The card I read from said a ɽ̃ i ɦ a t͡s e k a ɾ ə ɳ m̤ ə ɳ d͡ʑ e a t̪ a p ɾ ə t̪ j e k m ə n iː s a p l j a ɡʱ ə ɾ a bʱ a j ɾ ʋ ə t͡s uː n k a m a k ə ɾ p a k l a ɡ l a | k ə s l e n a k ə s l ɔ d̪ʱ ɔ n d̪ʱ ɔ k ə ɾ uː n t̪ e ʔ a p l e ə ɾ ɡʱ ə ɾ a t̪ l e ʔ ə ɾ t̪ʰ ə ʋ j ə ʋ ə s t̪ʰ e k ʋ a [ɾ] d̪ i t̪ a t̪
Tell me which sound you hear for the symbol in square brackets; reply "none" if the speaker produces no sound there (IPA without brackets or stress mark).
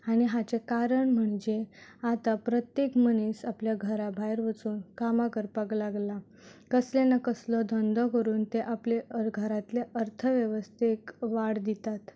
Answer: ɽ